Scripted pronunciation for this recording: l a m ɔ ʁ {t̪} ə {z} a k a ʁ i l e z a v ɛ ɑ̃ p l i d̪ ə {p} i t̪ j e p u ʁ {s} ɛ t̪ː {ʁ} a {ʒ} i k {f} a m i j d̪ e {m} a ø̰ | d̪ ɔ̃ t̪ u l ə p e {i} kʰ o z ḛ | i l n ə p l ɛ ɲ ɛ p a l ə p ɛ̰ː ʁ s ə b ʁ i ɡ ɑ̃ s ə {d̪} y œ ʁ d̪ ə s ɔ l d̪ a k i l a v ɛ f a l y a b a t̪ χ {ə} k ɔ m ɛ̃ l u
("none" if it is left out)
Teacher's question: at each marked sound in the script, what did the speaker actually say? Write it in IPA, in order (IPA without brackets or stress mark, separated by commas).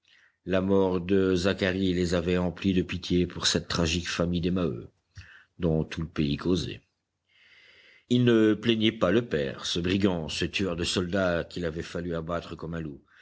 d̪, z, p, s, χ, ʒ, f, m, i, t̪, ə